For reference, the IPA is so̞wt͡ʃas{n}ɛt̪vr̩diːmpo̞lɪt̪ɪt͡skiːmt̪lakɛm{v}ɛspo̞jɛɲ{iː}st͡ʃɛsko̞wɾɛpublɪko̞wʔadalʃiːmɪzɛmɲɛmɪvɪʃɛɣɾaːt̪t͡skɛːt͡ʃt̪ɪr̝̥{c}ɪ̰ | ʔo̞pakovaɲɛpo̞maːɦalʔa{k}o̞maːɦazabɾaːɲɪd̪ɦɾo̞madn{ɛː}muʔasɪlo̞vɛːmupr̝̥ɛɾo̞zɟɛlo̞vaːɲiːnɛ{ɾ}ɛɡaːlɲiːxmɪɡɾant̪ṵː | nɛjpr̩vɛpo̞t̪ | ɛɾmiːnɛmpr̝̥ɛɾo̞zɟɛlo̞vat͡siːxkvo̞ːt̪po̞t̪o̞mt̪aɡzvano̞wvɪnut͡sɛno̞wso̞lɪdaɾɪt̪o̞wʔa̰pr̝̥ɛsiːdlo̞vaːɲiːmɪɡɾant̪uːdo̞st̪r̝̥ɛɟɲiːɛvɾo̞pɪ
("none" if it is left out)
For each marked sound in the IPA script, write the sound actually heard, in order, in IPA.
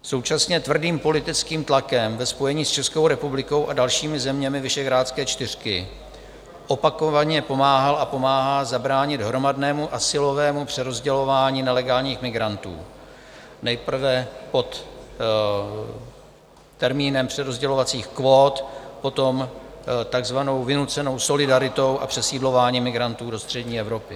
ɲ, v, iː, k, p, ɛː, l

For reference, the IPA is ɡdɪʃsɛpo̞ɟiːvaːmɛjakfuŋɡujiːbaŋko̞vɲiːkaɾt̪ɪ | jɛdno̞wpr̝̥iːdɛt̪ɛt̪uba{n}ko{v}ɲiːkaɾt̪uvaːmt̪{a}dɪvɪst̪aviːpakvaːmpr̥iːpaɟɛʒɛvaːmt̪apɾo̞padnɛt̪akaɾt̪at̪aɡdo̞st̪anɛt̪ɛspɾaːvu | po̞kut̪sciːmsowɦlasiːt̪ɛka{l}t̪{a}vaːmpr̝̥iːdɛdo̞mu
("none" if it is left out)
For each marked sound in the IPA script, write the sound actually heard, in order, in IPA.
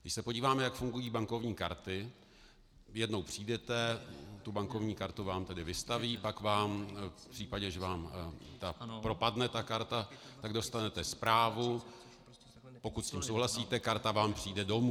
ŋ, v, ɛ, ɾ, a

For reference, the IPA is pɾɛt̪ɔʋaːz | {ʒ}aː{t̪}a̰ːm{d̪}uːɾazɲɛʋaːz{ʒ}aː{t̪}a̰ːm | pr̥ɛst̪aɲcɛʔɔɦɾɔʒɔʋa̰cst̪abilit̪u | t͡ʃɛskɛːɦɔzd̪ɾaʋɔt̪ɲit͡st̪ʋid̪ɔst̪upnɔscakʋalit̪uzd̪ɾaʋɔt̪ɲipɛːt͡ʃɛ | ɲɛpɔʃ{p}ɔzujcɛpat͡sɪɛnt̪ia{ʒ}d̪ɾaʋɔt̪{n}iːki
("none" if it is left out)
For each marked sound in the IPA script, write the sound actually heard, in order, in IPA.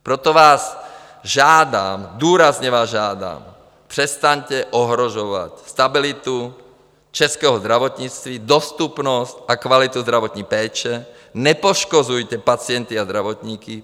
ʒ, d̪, d̪, ʒ, d̪, k, z, ɲ

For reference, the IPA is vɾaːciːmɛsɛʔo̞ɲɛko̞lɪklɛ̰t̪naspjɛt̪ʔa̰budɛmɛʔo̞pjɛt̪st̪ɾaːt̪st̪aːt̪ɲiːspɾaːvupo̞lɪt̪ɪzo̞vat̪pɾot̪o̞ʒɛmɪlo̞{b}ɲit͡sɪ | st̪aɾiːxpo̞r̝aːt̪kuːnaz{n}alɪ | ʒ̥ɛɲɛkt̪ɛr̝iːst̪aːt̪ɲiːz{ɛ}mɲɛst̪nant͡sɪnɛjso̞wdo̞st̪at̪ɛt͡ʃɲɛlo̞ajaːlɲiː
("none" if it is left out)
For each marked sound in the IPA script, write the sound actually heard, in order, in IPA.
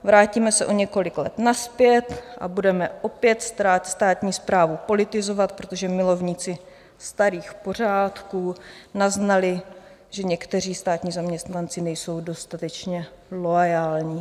v, n, a

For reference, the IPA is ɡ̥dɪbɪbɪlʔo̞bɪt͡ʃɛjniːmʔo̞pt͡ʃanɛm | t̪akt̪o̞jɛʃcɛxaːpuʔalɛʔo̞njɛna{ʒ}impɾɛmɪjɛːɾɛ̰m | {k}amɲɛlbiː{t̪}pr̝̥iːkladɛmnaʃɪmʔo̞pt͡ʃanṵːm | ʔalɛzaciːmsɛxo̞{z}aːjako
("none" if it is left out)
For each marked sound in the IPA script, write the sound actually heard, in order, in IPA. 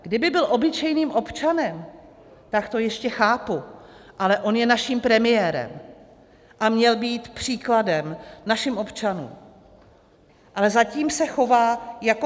ʃ, ʔ, t̪, v

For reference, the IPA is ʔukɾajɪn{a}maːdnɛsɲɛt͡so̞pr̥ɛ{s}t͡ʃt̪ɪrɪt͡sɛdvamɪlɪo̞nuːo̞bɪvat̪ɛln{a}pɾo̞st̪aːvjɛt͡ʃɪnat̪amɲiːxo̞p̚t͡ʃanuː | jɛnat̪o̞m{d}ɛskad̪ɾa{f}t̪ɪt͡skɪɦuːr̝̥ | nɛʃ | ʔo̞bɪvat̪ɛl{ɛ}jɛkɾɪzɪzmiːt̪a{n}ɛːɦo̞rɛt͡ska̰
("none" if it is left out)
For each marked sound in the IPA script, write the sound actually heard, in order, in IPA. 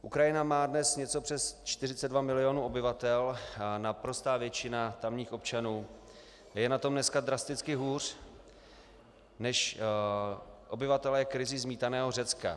a, s, a, n, s, ɛ, n

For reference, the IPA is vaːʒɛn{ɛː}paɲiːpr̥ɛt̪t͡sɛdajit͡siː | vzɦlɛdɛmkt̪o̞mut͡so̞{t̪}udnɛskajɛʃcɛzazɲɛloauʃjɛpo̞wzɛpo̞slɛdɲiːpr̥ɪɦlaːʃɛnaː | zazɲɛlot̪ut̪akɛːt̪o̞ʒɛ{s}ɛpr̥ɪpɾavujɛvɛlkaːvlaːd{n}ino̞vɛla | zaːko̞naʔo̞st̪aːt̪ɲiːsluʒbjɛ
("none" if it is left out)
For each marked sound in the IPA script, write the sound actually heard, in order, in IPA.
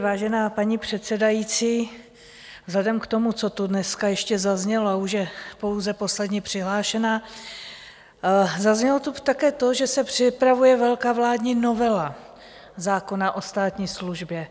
aː, t̪, s, ɲ

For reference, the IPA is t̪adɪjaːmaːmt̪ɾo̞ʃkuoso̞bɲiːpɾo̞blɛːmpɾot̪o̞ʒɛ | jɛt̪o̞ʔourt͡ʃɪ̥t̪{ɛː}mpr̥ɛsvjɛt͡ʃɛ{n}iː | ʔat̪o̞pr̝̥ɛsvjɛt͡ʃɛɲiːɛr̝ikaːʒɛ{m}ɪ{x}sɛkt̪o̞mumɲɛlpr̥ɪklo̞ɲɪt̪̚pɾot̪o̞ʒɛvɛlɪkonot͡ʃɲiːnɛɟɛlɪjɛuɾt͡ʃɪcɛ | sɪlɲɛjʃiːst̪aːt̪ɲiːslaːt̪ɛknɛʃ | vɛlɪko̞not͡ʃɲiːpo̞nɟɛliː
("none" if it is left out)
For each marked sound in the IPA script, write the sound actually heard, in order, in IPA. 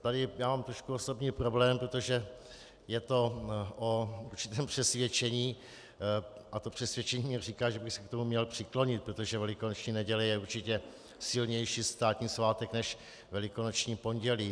ɛː, ɲ, b, x

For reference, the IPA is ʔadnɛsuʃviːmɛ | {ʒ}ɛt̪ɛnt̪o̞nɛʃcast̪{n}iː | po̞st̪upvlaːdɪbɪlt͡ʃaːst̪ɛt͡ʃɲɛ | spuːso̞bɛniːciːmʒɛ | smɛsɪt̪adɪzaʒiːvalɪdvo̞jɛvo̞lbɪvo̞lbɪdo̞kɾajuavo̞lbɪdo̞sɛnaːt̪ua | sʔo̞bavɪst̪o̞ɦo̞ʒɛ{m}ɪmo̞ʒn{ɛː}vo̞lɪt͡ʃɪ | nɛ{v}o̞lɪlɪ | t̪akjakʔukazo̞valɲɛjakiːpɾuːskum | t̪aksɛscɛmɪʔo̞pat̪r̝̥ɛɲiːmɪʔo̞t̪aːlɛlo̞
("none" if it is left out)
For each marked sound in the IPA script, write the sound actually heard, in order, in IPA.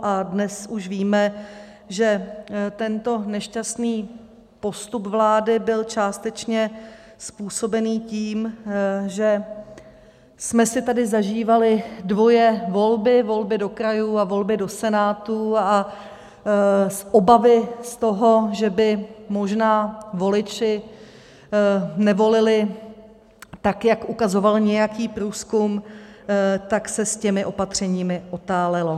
ʒ, n, b, aː, v

